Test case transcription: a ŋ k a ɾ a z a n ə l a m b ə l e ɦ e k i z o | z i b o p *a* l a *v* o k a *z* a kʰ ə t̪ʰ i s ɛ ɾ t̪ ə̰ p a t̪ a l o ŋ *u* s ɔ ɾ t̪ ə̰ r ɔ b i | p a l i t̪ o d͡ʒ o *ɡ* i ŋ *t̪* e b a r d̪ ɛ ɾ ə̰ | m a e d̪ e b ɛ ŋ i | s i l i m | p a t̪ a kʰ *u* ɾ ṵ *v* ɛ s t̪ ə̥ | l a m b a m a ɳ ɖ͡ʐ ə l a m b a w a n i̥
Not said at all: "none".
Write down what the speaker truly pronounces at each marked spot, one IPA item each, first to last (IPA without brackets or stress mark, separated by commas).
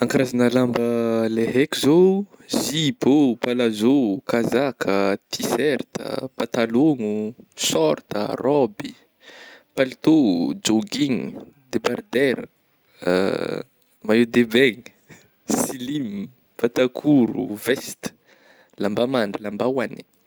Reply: a, z, z, u, ɡ, d̪, u, v